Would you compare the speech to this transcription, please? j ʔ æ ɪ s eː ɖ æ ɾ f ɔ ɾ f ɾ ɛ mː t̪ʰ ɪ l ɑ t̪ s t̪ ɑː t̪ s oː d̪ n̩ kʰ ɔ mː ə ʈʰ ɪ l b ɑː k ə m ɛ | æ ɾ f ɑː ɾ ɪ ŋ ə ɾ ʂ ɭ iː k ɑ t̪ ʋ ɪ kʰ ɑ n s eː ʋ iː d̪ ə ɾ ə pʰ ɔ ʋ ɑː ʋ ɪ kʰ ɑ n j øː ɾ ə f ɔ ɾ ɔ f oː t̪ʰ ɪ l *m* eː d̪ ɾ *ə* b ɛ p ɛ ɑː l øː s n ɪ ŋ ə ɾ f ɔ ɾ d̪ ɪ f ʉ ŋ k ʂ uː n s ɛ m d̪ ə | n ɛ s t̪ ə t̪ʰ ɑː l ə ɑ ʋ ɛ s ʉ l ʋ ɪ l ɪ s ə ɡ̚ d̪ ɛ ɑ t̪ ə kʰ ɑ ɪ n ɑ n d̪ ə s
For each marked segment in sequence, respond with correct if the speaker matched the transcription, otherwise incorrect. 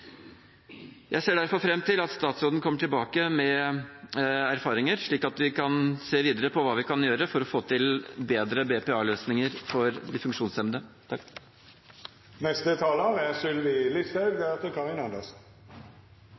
incorrect, correct

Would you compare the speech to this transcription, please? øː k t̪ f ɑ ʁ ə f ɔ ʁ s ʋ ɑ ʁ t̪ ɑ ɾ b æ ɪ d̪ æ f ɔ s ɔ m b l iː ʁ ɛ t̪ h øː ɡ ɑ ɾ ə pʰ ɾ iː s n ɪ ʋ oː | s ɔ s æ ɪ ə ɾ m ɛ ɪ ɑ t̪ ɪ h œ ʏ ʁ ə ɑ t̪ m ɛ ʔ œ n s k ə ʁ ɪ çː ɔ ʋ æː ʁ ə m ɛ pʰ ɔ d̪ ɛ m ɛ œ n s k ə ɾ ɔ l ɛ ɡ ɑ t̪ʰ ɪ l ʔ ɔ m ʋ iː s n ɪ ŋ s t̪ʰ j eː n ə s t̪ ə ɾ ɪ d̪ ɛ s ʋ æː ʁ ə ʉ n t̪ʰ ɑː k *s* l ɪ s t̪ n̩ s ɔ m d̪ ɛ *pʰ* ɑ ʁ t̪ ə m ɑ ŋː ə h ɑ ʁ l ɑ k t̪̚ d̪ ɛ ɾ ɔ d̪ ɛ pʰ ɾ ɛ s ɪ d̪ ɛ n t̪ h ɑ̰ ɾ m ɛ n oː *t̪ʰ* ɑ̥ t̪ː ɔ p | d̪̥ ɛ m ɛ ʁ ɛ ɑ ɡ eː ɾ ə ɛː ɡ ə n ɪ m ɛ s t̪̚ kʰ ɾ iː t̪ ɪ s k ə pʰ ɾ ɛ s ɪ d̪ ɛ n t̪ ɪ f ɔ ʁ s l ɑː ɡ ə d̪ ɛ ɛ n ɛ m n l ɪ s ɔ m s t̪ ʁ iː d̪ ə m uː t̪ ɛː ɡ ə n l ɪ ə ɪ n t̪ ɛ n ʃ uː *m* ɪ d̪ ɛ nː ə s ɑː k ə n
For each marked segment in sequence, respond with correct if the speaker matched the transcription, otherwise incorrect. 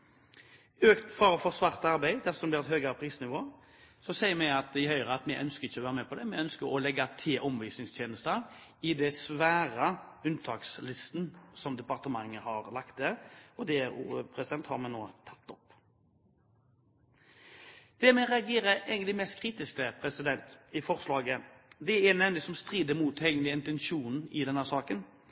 correct, incorrect, correct, incorrect

